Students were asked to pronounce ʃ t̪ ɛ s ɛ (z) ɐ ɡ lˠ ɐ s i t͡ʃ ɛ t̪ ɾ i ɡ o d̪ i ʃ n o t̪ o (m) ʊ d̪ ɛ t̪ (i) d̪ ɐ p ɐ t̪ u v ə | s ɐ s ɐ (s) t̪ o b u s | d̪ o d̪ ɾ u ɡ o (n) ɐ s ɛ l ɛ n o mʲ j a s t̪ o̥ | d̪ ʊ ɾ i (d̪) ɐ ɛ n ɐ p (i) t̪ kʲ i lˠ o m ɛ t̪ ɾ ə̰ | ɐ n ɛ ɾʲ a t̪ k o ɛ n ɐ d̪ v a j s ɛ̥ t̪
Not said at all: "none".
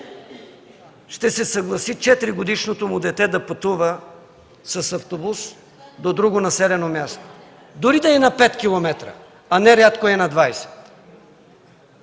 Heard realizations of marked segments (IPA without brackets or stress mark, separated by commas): s, m, ɛ, f, n, d̪, ɛ